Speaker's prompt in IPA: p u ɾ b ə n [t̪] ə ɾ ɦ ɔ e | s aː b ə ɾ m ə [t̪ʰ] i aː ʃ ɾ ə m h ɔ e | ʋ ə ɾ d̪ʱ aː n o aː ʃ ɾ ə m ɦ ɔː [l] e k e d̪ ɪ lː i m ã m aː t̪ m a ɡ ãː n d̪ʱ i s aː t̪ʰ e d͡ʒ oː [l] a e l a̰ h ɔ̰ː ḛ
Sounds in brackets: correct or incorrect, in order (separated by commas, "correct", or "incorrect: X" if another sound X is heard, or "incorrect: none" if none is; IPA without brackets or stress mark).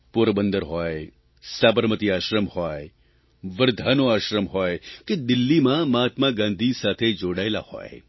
incorrect: d̪, incorrect: t̪, incorrect: none, incorrect: ɽ